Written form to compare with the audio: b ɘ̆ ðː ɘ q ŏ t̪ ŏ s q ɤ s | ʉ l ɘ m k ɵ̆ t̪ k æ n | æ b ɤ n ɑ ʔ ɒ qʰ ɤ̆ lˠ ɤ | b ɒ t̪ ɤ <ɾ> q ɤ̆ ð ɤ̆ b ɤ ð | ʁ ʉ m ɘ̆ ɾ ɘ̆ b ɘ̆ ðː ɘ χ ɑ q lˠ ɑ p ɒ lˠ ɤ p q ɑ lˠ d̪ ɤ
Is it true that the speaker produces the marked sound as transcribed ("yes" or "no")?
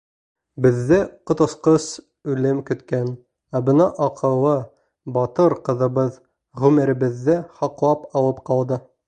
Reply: yes